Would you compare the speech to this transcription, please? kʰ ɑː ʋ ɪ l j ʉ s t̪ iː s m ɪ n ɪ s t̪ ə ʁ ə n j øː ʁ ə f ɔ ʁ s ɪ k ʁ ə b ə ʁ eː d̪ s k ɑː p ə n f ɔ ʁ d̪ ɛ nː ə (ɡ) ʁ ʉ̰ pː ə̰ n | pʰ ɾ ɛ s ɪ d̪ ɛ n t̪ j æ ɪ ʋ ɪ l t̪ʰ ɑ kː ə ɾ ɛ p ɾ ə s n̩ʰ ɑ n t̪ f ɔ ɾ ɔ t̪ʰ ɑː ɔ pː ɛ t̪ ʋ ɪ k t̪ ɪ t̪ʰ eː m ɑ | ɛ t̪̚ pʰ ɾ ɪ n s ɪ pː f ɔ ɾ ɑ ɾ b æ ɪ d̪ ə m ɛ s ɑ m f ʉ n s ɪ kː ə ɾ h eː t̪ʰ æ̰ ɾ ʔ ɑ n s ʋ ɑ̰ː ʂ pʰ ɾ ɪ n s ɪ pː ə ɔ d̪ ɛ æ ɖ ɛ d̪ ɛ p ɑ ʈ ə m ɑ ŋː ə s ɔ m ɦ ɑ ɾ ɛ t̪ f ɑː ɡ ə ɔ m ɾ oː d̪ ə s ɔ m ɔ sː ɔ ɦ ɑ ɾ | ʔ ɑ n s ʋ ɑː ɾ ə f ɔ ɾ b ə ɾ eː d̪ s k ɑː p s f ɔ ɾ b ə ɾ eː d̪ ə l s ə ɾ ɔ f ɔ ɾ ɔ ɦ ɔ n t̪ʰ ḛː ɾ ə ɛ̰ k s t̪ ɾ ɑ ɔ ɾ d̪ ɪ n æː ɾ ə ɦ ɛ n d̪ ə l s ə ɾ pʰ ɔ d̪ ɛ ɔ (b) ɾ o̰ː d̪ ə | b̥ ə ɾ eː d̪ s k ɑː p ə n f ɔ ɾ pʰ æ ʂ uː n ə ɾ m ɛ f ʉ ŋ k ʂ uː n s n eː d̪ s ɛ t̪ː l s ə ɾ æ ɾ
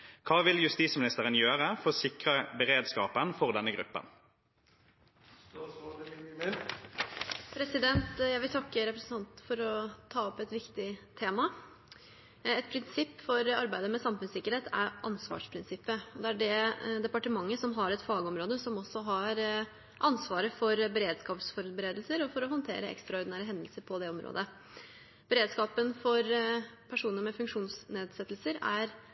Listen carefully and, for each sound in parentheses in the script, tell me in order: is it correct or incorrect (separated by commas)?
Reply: correct, incorrect